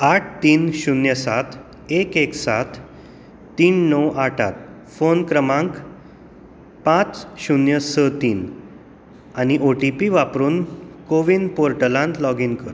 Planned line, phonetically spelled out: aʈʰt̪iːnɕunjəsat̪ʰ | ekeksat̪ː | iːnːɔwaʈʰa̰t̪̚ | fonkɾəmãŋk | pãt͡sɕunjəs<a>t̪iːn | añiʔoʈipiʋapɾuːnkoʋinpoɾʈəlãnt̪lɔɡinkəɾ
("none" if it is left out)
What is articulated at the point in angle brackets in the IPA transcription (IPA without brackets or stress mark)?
ə